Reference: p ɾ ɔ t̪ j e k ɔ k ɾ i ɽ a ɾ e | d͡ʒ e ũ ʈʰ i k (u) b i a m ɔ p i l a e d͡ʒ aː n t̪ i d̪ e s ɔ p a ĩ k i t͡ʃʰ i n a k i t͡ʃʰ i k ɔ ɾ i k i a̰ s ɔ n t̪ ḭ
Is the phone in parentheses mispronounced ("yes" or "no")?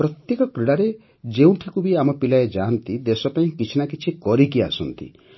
no